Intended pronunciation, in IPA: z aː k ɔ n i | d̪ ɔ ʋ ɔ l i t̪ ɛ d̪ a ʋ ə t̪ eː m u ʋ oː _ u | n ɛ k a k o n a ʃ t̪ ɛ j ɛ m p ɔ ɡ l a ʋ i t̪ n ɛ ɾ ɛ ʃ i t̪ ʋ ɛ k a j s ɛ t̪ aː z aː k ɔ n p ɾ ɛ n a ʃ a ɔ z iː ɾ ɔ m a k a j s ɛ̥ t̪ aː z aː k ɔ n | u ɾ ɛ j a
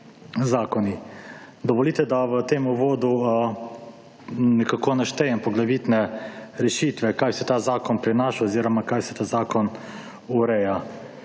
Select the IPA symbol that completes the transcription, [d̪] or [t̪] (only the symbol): d̪